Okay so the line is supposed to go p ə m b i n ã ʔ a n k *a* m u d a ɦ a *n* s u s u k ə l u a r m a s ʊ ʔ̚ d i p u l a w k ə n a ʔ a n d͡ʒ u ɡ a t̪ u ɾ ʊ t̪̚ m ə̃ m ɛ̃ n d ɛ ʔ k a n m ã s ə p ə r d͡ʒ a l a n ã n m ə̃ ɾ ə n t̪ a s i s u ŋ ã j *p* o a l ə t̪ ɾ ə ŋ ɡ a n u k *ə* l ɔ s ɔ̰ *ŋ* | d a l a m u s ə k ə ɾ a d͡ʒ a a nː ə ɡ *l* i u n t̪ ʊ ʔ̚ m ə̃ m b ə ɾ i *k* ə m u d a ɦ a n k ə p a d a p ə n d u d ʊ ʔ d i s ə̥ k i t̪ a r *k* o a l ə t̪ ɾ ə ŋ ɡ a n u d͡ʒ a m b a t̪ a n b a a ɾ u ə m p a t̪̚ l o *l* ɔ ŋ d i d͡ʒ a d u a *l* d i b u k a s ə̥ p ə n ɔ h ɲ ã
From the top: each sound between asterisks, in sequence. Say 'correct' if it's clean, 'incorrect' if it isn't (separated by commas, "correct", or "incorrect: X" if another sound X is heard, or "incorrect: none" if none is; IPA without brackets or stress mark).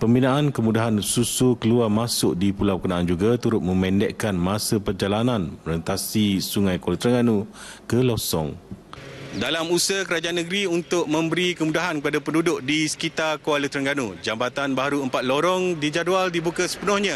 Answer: incorrect: ə, correct, incorrect: k, correct, correct, incorrect: ɾ, correct, correct, incorrect: ɾ, correct